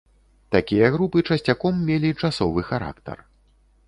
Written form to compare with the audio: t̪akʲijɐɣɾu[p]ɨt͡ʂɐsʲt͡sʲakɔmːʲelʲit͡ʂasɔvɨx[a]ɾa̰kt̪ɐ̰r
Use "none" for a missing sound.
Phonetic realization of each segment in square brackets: p, a

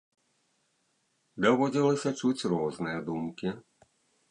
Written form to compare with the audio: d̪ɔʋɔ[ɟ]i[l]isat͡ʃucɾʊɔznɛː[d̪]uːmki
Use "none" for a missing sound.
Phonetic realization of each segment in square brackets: ɟ, l, d̪

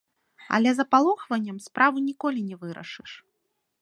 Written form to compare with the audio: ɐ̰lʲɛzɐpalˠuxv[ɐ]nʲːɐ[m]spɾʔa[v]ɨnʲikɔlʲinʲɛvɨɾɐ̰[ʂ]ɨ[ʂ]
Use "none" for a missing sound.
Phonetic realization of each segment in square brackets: ɐ, m, v, ʂ, ʂ

